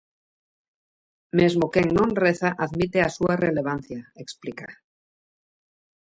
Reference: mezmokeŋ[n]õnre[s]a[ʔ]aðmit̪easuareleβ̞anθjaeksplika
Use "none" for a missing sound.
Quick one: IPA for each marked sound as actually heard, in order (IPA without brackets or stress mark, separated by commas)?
n, θ, ʔ